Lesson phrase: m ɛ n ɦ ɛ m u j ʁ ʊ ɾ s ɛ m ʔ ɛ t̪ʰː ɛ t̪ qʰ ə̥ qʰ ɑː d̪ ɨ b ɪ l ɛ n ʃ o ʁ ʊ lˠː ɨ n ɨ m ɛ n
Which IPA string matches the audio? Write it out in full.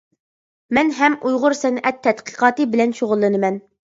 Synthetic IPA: m ɛ n ɦ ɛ m u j ʁ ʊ ɾ s ɛ n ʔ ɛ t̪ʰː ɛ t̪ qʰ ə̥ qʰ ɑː t̪ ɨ b ɪ l ɛ n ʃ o ʁ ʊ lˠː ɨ n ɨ m ɛ n